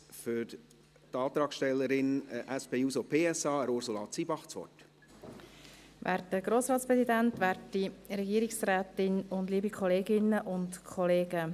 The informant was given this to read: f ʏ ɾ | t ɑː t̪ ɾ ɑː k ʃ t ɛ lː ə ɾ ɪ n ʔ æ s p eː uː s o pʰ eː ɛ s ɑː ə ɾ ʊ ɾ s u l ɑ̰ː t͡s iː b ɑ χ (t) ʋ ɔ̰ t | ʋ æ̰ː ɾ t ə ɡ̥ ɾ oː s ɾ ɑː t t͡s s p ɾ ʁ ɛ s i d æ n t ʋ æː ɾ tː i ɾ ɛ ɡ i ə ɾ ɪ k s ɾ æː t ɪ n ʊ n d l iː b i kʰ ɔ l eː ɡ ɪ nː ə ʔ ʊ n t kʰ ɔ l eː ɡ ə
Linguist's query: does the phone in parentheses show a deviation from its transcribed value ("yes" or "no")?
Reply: yes